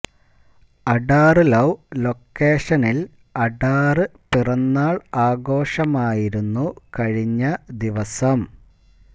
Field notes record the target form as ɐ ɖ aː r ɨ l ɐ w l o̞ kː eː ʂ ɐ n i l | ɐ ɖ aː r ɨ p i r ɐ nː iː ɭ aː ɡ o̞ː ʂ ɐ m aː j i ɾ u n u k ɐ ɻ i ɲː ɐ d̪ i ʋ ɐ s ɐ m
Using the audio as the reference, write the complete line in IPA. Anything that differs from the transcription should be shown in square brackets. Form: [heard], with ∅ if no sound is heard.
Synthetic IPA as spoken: ɐ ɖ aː r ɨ l ɐ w l o̞ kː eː ʂ ɐ n i l | ɐ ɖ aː r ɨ p i r ɐ nː [aː] ɭ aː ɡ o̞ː ʂ ɐ m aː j i ɾ u [nː] u k ɐ ɻ i ɲː ɐ d̪ i ʋ ɐ s ɐ m